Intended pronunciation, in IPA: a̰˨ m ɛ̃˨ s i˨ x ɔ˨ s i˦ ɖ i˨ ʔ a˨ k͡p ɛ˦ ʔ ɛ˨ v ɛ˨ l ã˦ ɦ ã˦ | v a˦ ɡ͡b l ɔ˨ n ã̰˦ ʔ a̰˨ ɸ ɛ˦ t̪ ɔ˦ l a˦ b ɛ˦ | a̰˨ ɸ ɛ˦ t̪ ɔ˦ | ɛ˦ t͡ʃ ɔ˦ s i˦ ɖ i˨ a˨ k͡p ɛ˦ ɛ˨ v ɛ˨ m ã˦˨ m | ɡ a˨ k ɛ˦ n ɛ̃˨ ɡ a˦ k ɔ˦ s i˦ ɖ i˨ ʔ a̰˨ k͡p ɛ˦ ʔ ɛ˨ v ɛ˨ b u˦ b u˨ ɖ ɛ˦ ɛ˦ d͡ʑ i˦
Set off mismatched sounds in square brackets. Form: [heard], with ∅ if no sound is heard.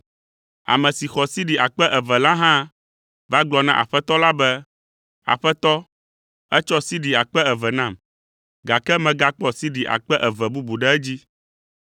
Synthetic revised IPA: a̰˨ m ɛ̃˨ s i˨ x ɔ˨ s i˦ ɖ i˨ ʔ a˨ k͡p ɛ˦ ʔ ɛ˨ v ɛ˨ l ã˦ ɦ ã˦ | v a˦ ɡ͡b l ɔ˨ n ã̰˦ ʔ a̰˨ ɸ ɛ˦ t̪ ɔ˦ l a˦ b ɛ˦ | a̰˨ ɸ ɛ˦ t̪ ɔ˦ | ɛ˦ t͡ʃ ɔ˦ s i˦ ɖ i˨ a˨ k͡p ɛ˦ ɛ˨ v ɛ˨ [n] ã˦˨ m | ɡ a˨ k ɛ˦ [m] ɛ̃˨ ɡ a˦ [k͡p] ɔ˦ s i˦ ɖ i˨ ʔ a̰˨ k͡p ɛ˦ ʔ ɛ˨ v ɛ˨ b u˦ b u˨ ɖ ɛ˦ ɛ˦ d͡ʑ i˦